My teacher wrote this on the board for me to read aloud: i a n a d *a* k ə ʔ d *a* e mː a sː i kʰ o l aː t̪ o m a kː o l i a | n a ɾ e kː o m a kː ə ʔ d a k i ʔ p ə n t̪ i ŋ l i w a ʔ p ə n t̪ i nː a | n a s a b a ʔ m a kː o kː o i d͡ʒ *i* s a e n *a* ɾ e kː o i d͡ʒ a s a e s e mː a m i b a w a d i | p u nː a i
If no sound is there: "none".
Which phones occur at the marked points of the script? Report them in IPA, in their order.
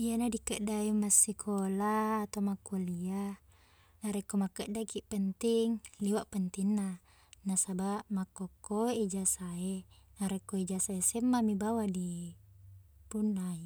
i, a, a, a

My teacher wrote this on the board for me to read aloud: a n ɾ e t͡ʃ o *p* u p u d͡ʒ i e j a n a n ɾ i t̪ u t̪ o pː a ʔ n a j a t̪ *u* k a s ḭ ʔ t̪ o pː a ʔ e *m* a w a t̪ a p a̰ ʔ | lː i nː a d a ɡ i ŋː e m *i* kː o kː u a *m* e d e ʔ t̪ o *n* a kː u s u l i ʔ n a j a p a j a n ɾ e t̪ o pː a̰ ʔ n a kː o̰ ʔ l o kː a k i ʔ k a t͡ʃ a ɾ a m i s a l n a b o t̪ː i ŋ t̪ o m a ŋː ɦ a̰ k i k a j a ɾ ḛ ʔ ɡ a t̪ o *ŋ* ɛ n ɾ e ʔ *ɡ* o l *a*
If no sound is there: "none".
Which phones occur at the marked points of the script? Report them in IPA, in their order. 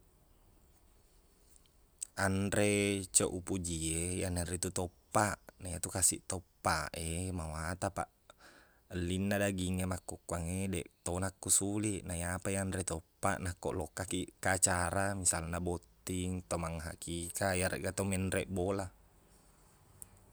ʔ, u, m, a, ŋ, n, m, b, a

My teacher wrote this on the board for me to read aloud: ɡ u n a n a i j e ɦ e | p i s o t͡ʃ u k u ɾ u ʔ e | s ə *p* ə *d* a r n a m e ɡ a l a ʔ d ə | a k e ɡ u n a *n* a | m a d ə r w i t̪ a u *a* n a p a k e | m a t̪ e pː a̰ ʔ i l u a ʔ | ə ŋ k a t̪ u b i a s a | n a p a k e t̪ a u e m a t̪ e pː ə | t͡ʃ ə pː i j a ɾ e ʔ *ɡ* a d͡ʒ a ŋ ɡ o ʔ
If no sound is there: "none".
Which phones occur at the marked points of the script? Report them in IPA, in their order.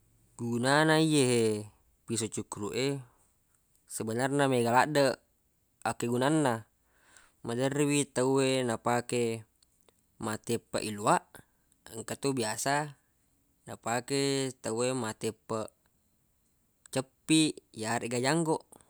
b, n, nː, e, ɡ

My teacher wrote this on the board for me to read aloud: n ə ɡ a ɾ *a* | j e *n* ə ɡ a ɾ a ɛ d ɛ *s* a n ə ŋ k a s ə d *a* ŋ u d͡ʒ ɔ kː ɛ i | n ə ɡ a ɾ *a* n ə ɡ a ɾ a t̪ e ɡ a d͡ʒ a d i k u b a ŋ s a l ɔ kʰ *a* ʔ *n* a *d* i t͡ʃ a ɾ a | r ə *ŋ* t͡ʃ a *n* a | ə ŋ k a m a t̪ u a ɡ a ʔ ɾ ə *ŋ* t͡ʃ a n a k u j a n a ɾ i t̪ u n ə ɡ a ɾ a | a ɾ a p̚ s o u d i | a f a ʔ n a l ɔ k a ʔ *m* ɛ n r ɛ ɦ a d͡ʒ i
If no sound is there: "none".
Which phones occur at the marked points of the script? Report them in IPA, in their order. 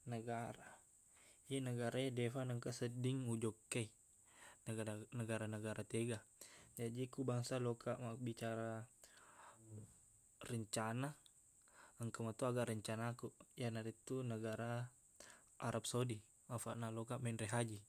a, n, f, i, a, a, m, b, ɲ, n, ɲ, m

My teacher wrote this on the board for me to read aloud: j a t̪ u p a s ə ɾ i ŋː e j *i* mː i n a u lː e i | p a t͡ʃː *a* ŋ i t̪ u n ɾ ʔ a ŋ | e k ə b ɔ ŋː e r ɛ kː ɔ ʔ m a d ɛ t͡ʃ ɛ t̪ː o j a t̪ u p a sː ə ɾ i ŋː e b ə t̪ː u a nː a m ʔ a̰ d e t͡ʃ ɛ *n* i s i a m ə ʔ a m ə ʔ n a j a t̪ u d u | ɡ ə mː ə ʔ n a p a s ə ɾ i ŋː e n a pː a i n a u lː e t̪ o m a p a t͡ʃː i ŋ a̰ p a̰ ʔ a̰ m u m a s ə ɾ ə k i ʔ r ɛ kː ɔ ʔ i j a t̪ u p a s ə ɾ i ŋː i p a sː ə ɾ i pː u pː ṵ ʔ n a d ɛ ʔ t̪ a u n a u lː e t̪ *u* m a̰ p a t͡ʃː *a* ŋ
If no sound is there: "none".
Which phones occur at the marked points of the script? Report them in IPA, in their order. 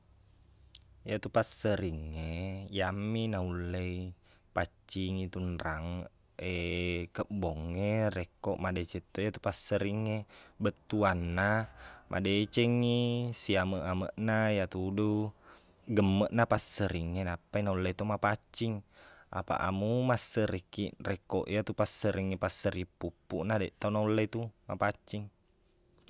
a, i, ŋ, u, i

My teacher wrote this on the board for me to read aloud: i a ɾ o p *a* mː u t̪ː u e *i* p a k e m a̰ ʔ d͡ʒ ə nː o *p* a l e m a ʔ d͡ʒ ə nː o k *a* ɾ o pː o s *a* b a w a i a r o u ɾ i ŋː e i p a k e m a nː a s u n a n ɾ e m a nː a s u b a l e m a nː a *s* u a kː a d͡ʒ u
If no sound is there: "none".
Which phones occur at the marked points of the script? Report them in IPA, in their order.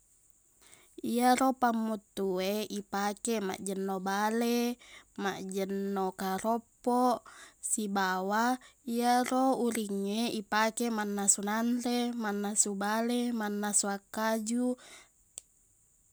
a, i, b, a, i, s

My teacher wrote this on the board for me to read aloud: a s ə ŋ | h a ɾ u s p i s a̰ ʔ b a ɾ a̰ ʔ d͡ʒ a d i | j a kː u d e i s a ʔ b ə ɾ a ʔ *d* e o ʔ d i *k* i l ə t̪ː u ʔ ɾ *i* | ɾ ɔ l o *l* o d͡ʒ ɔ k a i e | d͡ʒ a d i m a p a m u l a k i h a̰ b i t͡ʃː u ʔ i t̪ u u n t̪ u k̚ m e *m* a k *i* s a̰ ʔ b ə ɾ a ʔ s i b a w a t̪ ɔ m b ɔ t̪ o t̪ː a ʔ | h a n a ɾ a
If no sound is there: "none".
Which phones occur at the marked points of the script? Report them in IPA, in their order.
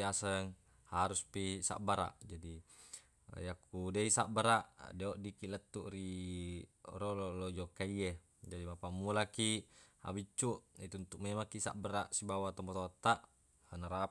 d, k, i, l, m, i

